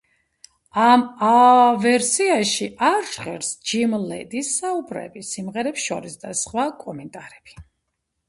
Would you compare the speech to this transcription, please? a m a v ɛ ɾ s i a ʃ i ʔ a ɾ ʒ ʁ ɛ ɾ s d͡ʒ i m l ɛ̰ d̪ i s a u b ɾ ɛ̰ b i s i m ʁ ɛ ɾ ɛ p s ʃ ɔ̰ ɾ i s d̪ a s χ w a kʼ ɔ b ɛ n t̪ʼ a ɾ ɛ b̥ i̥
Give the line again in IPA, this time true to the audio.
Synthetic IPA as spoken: a m a v ɛ ɾ s i a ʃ i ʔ a ɾ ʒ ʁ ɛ ɾ s d͡ʒ i m l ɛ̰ d̪ i s a u b ɾ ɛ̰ b i s i m ʁ ɛ ɾ ɛ p s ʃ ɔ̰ ɾ i s d̪ a s χ w a kʼ ɔ m ɛ n t̪ʼ a ɾ ɛ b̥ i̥